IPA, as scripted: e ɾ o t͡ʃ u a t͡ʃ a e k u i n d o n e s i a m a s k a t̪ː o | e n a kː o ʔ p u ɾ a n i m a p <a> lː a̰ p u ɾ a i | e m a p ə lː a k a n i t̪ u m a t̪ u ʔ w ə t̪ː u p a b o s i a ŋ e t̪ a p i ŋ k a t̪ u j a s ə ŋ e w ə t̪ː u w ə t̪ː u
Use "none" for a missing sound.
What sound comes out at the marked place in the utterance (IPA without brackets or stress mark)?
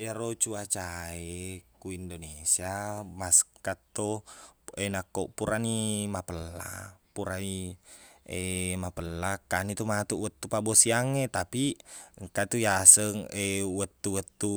ə